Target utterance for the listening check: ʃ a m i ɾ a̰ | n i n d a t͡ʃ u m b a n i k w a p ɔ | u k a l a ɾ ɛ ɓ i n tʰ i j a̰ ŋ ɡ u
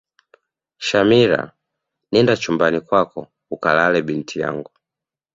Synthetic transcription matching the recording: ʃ a m i ɾ a̰ | n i n d a t͡ʃ u m b a n i k w a k ɔ | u k a l a l ɛ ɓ i n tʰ i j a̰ ŋ ɡ u